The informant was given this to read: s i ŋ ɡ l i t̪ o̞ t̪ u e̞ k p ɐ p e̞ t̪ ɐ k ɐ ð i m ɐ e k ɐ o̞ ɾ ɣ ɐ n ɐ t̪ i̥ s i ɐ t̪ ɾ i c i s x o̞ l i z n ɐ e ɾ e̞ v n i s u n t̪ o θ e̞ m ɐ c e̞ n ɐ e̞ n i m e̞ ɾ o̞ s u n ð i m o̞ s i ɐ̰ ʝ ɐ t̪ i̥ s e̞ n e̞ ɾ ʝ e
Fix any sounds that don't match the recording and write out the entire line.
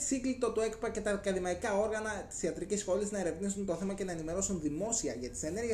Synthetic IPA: s i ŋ ɡ l i t̪ o̞ t̪ u e̞ k p ɐ c e̞ t̪ ɐ k ɐ ð i m ɐ i k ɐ o̞ ɾ ɣ ɐ n ɐ t̪ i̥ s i ɐ t̪ ɾ i c i s x o̞ l i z n ɐ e ɾ e̞ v n i s u n t̪ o θ e̞ m ɐ c e̞ n ɐ e̞ n i m e̞ ɾ o̞ s u n ð i m o̞ s i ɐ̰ ʝ ɐ t̪ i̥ s e̞ n e̞ ɾ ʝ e